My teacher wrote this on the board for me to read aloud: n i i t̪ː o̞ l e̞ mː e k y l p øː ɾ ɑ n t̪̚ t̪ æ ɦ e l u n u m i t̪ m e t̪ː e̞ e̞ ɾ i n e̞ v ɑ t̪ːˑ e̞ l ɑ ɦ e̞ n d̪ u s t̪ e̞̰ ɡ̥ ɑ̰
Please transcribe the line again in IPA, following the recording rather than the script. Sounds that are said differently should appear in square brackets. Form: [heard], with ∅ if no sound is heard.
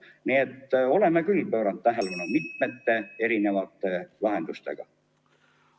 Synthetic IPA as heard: n i [e] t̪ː o̞ l e̞ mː e k y l p øː ɾ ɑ n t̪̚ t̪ æ ɦ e l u n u m i t̪ m e t̪ː e̞ e̞ ɾ i n e̞ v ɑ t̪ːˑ e̞ l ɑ ɦ e̞ n d̪ u s t̪ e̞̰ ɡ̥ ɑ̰